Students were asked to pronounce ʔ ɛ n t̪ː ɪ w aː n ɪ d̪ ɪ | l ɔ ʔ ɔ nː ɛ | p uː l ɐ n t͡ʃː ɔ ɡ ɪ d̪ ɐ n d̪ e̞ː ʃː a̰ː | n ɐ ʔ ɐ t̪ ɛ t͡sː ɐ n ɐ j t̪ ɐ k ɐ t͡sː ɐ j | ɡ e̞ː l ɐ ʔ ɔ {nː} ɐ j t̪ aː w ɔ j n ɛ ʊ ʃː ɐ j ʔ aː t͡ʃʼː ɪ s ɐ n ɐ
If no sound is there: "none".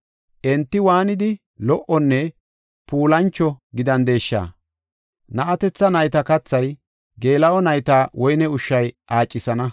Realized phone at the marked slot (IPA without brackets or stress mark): n